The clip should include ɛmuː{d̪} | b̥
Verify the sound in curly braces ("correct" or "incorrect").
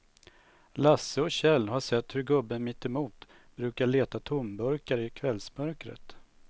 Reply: incorrect